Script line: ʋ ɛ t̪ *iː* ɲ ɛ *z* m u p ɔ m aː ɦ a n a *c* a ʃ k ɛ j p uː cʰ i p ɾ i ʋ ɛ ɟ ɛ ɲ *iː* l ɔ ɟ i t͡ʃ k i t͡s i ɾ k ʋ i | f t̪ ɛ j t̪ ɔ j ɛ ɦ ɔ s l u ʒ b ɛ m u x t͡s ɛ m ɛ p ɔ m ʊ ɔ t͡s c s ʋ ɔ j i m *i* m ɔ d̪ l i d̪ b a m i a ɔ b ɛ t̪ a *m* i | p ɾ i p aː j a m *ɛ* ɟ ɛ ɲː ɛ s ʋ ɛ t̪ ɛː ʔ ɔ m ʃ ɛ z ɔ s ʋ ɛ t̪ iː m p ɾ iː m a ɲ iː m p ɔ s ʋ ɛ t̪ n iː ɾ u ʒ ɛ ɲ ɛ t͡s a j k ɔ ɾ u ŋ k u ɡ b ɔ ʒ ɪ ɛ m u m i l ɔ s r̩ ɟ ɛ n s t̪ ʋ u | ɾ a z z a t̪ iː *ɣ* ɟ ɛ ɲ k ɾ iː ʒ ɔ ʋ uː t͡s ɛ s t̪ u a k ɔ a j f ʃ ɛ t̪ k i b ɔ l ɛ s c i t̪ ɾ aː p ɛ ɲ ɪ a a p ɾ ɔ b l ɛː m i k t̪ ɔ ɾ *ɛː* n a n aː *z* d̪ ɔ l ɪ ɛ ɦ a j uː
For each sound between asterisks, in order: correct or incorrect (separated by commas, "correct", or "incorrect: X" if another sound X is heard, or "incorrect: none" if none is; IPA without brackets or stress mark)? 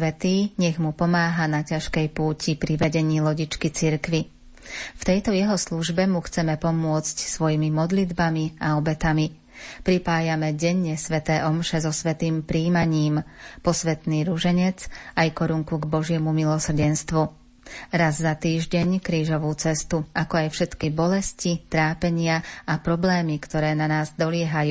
correct, incorrect: ɣ, correct, correct, correct, correct, correct, incorrect: ʒ, correct, correct